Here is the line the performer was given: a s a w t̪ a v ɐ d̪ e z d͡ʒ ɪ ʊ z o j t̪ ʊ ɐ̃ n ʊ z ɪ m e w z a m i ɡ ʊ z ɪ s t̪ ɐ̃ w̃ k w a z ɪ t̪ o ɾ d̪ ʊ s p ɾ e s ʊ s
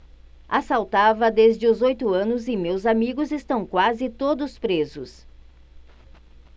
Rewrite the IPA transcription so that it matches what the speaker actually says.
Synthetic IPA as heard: a s a w t̪ a v ɐ d̪ e z d͡ʒ ɪ ʊ z o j t̪ ʊ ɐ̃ n ʊ z ɪ m e w z a m i ɡ ʊ z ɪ s t̪ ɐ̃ w̃ k w a z ɪ t̪ o d̪ ʊ s p ɾ e z ʊ s